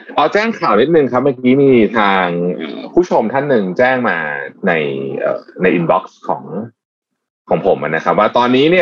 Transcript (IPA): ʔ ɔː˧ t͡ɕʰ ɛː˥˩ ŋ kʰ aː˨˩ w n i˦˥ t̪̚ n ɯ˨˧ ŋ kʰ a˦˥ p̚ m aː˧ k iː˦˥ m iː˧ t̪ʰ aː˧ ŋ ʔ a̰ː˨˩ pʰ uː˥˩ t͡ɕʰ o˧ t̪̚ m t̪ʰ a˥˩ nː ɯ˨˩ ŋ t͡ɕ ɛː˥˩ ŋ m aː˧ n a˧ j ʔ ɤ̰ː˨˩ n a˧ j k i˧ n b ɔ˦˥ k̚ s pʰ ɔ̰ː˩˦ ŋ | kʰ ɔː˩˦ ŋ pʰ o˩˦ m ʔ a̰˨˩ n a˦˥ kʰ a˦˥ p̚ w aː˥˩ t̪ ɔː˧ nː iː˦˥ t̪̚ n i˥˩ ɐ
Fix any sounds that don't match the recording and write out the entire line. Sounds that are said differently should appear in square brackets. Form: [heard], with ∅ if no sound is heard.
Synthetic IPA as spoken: ʔ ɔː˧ [t͡ɕ] ɛː˥˩ ŋ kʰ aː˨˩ w n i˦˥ t̪̚ n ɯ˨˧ ŋ kʰ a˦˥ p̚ m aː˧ k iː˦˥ m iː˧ t̪ʰ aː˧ ŋ ʔ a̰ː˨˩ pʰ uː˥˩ t͡ɕʰ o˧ [∅] m t̪ʰ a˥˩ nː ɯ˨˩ ŋ t͡ɕ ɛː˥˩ ŋ m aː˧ n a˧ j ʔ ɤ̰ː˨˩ n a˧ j [ʔ] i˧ n b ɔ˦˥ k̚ s [kʰ] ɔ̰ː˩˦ ŋ | kʰ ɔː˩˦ ŋ pʰ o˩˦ m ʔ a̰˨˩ n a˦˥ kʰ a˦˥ p̚ w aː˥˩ t̪ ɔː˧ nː iː˦˥ [∅] n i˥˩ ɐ